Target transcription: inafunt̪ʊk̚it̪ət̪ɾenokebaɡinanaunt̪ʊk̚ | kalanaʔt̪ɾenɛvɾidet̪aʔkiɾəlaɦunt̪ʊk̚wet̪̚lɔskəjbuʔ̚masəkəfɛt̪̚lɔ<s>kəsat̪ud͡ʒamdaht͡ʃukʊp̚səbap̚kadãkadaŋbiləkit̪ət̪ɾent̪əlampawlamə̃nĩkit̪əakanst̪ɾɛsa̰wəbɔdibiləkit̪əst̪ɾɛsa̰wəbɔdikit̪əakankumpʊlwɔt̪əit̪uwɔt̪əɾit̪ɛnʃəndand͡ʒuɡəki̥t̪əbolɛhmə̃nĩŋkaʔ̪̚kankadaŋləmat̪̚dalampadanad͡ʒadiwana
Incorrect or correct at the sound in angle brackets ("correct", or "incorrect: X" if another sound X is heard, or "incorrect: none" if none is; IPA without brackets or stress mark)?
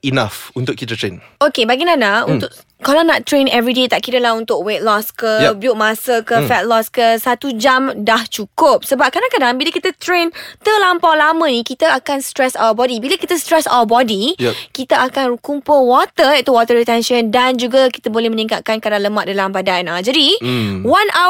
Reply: correct